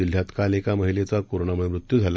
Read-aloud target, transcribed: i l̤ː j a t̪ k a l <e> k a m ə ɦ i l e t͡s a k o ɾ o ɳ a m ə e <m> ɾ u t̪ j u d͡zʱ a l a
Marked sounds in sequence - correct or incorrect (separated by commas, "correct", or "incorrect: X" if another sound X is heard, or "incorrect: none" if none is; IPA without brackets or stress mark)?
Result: correct, correct